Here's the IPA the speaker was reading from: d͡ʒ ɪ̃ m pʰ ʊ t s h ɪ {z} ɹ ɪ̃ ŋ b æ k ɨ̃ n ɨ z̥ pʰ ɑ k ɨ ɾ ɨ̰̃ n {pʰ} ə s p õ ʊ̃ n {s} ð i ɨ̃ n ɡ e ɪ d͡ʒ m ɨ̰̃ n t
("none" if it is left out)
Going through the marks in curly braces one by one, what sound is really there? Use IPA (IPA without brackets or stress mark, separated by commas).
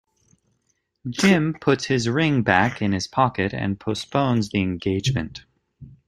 z, pʰ, z